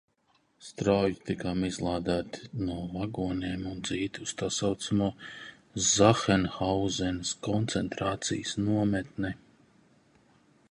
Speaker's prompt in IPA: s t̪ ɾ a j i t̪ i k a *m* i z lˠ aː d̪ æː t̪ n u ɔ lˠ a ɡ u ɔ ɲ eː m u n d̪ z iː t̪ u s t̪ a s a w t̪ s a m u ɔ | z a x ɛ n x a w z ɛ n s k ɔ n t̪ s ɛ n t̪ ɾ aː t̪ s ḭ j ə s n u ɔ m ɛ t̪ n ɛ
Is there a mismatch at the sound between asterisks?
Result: no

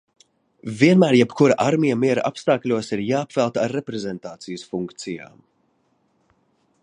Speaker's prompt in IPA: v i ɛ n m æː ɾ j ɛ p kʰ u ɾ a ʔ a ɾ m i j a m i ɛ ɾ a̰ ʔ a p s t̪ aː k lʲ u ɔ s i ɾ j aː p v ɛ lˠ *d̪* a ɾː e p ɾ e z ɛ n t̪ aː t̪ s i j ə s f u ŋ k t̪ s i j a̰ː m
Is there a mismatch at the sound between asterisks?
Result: yes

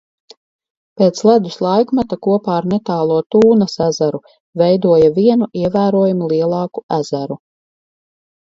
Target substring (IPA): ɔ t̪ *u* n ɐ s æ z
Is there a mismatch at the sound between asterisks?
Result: yes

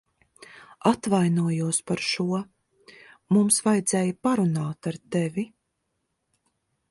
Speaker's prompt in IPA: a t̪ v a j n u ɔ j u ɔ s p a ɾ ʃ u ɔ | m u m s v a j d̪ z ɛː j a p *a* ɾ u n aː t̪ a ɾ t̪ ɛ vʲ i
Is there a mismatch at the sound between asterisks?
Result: no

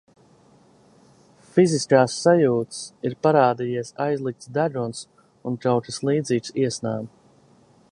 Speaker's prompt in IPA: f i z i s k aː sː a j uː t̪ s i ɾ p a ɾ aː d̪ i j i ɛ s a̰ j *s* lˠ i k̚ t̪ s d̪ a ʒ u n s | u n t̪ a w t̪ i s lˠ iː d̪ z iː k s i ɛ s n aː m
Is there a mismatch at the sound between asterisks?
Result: yes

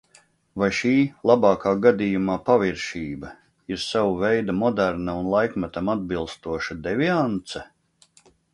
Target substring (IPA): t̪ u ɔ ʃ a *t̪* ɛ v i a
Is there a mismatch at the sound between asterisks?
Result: yes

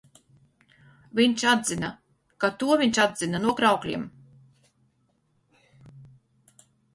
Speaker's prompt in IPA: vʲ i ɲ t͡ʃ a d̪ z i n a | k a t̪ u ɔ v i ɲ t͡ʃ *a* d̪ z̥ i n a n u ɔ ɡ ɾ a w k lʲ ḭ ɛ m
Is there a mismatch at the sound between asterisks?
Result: no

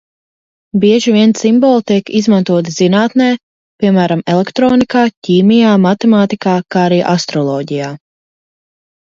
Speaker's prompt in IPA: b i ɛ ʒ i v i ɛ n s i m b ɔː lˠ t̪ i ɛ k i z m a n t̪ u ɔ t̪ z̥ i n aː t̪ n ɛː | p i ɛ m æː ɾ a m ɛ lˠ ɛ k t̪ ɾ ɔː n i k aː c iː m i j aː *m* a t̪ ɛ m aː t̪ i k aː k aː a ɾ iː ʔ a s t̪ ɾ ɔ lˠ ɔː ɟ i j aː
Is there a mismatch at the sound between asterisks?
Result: no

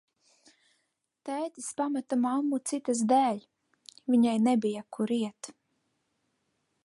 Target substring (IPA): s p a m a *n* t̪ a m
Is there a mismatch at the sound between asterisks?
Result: yes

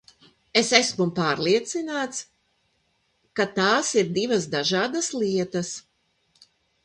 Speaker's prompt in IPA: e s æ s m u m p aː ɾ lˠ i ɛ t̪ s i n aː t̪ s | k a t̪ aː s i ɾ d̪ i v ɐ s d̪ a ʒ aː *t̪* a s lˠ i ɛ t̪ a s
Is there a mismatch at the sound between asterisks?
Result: yes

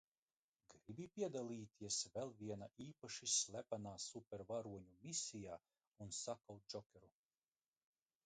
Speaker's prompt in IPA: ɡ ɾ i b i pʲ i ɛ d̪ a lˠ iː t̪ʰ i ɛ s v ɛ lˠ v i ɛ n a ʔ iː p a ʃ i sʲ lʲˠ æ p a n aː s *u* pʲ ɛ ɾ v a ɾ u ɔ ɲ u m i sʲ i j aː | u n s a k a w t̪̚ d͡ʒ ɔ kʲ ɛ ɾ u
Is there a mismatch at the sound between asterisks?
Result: no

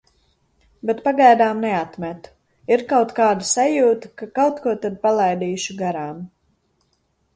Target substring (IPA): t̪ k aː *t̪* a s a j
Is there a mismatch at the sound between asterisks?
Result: yes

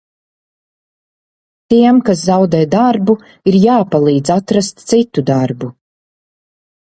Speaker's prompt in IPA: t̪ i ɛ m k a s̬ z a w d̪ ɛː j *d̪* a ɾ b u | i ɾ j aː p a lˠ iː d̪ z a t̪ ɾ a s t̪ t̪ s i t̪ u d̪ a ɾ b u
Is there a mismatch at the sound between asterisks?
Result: no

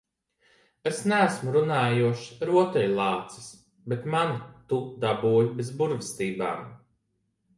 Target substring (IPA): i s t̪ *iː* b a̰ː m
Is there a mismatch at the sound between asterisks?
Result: no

